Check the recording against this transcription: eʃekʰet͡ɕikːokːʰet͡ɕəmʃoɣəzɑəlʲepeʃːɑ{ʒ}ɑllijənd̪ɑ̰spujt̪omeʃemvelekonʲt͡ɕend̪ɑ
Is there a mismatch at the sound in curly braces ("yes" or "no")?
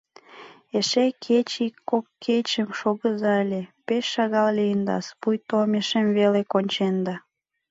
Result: yes